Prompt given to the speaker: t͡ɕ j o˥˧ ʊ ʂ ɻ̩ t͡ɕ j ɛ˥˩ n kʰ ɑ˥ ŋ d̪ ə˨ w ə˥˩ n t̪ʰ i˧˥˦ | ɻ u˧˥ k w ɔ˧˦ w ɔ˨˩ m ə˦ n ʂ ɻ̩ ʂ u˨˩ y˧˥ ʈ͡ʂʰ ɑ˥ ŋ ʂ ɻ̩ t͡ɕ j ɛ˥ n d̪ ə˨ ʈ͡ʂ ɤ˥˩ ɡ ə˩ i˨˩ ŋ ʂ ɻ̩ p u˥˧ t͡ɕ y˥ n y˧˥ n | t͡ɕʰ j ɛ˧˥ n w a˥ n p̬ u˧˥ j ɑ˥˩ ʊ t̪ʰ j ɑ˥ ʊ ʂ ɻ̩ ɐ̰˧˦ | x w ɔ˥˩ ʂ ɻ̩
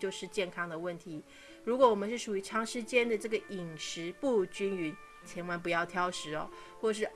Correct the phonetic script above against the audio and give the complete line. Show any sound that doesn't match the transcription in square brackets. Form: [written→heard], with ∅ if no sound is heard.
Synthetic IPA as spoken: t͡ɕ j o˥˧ ʊ ʂ ɻ̩ t͡ɕ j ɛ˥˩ n kʰ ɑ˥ ŋ d̪ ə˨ w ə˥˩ n t̪ʰ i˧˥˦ | ɻ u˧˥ k w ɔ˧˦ w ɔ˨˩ m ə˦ n ʂ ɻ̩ ʂ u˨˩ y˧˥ ʈ͡ʂʰ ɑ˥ ŋ ʂ ɻ̩ t͡ɕ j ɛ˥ n d̪ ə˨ ʈ͡ʂ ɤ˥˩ ɡ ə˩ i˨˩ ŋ ʂ ɻ̩ p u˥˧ t͡ɕ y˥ n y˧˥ n | t͡ɕʰ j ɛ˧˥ n w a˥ n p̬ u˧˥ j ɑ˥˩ ʊ t̪ʰ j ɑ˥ ʊ ʂ ɻ̩ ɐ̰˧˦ | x w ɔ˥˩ ʂ ɻ̩